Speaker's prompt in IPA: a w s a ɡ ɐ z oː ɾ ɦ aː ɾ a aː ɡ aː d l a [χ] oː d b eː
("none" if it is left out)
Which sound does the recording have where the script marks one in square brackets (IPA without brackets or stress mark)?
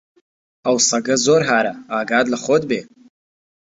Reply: χ